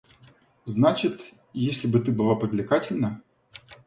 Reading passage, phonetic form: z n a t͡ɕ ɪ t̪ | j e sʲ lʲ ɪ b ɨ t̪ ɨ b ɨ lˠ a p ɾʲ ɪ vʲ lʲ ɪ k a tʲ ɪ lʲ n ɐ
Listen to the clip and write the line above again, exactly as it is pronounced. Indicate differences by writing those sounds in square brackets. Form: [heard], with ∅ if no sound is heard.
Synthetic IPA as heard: z n a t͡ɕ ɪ t̪ | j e sʲ lʲ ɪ b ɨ t̪ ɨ b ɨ lˠ a p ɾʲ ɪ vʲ lʲ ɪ k a tʲ ɪ lʲ n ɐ